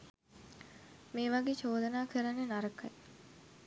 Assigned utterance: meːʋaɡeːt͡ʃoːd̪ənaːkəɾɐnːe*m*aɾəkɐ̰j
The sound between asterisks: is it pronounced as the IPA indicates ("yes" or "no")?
no